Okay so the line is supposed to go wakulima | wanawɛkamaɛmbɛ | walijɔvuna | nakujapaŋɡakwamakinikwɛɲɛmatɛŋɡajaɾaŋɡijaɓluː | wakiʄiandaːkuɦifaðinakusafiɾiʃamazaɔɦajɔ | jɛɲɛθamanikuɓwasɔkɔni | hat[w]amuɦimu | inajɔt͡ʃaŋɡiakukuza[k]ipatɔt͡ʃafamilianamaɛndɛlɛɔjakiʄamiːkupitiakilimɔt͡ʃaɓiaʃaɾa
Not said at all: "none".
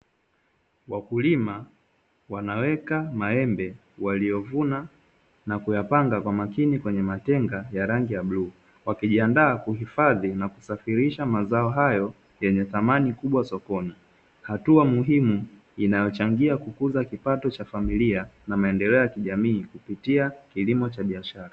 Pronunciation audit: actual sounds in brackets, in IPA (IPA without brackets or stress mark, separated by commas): u, k